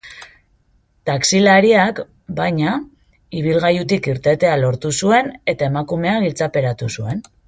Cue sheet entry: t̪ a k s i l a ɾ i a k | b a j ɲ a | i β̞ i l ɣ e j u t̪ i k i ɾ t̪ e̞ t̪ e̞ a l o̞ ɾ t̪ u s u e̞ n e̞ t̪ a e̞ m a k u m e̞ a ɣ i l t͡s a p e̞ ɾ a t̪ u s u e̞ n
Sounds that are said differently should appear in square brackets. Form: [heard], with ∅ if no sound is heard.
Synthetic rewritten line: t̪ a k s i l a ɾ i a k | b a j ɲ a | i β̞ i l ɣ [a] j u t̪ i k i ɾ t̪ e̞ t̪ e̞ a l o̞ ɾ t̪ u s u e̞ n e̞ t̪ a e̞ m a k u m e̞ a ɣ i l t͡s a p e̞ ɾ a t̪ u s u e̞ n